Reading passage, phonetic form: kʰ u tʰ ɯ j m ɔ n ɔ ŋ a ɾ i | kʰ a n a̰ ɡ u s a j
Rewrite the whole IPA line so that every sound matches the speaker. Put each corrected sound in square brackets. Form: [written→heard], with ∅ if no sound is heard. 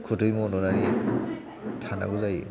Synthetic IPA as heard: kʰ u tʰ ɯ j m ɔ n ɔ [ŋ→n] a ɾ i | [kʰ→tʰ] a n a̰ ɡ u [s→z] a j